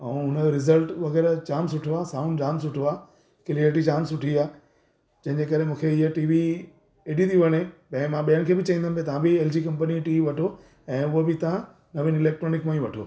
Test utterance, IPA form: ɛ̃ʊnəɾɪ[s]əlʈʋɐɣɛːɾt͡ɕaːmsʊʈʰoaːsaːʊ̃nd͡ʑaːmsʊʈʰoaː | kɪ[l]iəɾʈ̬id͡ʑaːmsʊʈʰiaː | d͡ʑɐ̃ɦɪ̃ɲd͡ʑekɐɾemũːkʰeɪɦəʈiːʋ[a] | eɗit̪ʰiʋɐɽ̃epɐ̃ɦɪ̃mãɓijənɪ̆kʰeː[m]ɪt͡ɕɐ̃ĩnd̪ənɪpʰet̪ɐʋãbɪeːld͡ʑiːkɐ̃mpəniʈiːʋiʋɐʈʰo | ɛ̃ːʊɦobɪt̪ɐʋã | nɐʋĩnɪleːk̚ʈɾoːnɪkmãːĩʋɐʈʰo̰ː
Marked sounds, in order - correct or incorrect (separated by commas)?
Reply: incorrect, correct, incorrect, incorrect